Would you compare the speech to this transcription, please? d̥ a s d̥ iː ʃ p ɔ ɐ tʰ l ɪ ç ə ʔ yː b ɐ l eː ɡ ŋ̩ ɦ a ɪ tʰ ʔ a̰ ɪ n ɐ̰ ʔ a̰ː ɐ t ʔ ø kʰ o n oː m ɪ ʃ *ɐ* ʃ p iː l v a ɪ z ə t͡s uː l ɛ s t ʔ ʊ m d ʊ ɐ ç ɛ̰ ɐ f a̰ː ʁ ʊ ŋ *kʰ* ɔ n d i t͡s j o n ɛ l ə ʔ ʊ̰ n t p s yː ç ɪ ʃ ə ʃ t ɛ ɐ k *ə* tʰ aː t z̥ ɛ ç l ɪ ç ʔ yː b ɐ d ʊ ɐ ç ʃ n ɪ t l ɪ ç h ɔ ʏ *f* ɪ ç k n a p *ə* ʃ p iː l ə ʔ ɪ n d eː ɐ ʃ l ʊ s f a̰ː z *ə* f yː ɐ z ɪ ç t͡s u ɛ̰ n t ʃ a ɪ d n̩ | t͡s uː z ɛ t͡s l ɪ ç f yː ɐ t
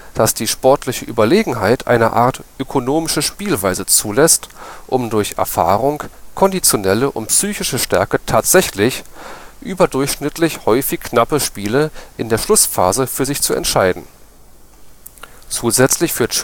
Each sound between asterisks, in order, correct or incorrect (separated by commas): incorrect, correct, correct, correct, correct, correct